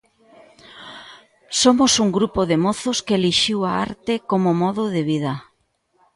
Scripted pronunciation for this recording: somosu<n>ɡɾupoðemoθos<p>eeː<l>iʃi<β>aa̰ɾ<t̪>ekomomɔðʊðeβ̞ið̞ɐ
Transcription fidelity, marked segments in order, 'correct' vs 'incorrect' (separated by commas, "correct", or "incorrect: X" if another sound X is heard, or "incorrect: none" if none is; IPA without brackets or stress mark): incorrect: ŋ, incorrect: k, correct, incorrect: w, correct